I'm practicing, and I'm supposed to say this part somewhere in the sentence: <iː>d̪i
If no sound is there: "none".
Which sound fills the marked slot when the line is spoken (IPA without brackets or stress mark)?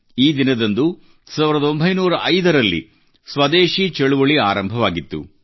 iː